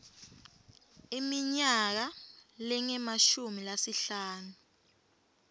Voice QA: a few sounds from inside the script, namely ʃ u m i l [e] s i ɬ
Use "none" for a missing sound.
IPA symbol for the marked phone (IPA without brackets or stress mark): a